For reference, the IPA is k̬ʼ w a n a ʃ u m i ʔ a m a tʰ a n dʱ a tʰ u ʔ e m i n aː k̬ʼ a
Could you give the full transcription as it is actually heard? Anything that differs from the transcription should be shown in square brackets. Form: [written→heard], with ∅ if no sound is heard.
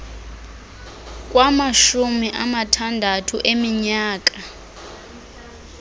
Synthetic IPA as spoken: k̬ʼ w a [n→m] a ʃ u m i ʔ a m a tʰ a n dʱ a tʰ u ʔ e m i [n→ɲ] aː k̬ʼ a